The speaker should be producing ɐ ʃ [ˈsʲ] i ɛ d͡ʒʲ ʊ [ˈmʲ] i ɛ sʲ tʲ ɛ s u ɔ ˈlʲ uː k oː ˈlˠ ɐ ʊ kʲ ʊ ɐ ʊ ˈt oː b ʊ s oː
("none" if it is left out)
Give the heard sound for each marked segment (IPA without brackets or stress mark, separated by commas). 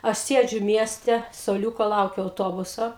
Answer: sʲ, mʲ